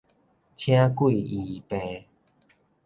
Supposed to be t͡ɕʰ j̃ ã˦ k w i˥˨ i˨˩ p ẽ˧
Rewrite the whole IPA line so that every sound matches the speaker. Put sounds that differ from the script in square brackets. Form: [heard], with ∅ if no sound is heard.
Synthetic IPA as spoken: t͡ɕʰ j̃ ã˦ k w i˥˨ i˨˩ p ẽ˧